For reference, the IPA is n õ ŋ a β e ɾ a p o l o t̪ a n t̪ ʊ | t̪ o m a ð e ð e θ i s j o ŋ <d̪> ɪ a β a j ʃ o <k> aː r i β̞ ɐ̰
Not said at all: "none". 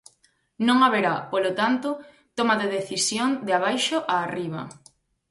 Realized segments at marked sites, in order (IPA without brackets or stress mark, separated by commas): d̪, ʔ